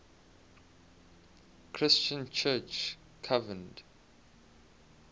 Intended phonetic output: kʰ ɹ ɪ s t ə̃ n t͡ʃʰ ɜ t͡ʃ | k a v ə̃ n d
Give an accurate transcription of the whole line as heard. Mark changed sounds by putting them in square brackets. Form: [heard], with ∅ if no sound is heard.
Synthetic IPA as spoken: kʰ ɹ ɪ s [t͡ʃ] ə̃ n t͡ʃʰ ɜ t͡ʃ | [kʰ] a v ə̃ n d